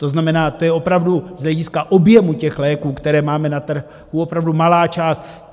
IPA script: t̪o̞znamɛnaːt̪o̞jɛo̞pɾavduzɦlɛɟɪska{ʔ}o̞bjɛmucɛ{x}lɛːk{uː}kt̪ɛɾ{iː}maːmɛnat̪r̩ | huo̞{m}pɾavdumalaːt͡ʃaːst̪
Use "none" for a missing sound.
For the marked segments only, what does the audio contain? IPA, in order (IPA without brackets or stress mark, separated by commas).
ʔ, x, uː, ɛː, none